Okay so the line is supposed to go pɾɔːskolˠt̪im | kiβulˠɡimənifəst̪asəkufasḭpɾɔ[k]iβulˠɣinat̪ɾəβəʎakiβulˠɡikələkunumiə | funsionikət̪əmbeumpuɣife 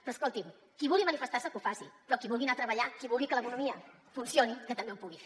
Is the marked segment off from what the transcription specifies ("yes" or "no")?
no